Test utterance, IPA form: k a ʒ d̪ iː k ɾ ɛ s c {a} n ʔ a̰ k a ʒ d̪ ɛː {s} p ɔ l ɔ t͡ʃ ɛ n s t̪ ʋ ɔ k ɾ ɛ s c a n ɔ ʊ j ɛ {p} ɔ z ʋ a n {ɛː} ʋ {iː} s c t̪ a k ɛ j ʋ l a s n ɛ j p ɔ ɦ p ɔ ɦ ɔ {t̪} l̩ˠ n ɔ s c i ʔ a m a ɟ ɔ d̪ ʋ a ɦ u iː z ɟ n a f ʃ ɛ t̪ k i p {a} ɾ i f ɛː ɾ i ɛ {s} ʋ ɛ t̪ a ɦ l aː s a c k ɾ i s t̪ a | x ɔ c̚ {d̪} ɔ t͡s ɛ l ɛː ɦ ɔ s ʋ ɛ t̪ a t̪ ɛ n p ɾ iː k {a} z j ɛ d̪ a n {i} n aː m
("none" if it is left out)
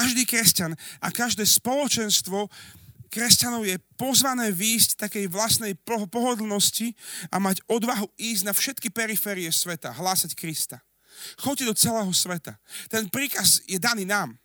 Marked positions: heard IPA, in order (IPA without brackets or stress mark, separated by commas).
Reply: a, s, p, ɛː, iː, d̪, ɛ, s, d̪, a, iː